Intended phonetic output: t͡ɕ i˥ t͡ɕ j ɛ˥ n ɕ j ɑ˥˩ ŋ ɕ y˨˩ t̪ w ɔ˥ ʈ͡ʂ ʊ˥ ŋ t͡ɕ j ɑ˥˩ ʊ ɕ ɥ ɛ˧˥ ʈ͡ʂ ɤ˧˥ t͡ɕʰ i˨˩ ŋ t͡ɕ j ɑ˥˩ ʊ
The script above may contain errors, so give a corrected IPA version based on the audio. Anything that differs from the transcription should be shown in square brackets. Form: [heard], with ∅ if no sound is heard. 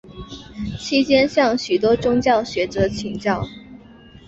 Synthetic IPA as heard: [t͡ɕʰ] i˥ t͡ɕ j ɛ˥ n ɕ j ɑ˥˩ ŋ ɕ y˨˩ t̪ w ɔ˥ ʈ͡ʂ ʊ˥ ŋ t͡ɕ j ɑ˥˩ ʊ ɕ ɥ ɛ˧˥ ʈ͡ʂ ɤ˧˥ t͡ɕʰ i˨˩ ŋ t͡ɕ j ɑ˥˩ ʊ